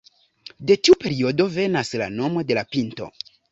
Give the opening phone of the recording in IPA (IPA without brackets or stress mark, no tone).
d